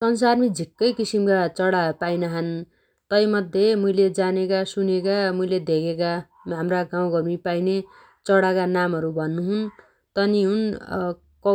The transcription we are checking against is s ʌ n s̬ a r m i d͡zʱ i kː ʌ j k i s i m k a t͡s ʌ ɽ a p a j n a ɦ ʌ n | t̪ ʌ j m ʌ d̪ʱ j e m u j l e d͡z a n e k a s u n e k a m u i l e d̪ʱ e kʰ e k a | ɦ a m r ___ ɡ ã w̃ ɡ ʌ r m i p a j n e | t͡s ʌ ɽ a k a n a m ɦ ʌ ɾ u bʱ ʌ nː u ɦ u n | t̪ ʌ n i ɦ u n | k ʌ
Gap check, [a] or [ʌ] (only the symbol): a